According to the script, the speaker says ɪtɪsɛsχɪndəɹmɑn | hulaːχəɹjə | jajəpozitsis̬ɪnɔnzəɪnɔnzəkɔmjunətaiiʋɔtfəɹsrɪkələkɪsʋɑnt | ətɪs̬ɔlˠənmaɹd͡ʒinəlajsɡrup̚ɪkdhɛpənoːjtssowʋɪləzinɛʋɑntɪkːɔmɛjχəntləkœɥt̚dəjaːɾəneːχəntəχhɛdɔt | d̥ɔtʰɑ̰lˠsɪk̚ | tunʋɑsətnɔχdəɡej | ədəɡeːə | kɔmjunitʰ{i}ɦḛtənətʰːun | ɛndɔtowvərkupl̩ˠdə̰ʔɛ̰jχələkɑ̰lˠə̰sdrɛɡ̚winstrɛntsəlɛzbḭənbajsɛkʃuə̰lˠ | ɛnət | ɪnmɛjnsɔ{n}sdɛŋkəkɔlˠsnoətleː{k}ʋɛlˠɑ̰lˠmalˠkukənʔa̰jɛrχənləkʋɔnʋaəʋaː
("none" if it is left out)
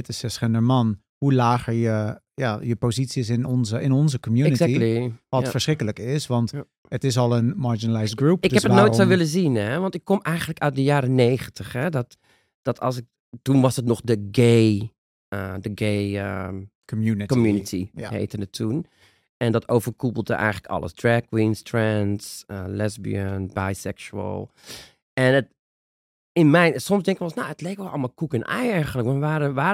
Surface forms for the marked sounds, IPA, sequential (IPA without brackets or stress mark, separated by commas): i, m, k